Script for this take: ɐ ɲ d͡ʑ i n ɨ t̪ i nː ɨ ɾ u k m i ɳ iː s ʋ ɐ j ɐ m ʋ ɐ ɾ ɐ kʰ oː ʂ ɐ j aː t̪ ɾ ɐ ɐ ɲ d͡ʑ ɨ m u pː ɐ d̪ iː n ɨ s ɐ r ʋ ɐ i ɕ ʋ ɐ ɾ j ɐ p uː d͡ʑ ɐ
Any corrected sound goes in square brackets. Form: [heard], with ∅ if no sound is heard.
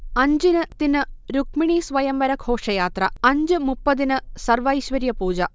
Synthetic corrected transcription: ɐ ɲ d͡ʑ i n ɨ t̪ i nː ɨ ɾ u k m i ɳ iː s ʋ ɐ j ɐ m ʋ ɐ ɾ ɐ kʰ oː ʂ ɐ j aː t̪ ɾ ɐ ɐ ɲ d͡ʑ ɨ m u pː ɐ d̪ [i] n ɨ s ɐ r ʋ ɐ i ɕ ʋ ɐ ɾ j ɐ p uː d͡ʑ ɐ